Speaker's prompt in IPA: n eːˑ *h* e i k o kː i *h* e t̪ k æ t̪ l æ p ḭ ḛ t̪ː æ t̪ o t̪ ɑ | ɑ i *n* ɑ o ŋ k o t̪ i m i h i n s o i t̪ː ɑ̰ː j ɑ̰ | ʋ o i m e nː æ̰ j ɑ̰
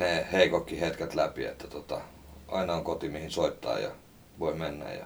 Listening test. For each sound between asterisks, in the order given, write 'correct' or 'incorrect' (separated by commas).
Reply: correct, correct, correct